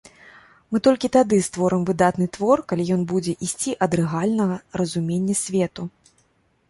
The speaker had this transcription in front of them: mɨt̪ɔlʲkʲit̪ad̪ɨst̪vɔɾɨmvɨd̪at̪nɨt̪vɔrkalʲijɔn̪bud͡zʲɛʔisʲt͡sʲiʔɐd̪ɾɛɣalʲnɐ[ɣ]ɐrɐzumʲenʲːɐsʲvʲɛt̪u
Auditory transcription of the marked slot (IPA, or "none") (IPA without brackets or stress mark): ɣ